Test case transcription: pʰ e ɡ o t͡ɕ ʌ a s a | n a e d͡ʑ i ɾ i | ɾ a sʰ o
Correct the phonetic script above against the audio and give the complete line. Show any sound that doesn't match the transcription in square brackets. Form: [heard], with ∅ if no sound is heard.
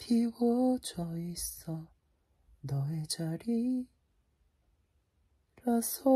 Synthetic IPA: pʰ [i] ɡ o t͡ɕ ʌ [i] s [ʌ] | n [ʌ] e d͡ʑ [a] ɾ i | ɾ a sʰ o